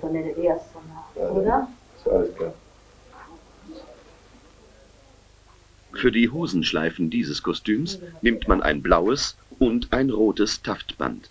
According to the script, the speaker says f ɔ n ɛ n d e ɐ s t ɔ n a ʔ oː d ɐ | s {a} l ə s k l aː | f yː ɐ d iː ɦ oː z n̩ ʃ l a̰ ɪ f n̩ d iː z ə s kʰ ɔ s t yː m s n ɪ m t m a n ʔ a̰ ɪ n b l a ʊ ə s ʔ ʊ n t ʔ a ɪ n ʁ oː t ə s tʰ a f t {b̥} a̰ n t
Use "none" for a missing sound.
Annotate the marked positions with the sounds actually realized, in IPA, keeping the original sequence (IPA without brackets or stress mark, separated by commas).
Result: a, b̥